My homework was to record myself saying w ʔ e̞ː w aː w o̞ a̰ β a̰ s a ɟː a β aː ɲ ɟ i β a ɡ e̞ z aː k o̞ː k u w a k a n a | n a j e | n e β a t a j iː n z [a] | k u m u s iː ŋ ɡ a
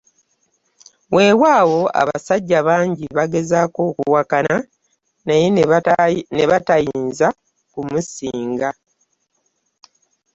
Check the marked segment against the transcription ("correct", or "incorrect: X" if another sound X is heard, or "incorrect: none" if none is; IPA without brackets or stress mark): correct